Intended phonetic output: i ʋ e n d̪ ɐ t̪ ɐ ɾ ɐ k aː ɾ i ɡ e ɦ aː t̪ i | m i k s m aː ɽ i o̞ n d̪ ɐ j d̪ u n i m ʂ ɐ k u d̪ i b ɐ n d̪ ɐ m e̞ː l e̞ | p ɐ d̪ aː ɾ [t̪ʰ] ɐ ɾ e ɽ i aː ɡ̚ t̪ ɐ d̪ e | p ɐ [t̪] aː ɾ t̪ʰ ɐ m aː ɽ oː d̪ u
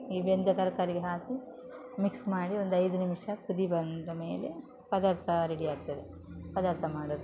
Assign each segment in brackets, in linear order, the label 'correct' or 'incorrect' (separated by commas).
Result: correct, incorrect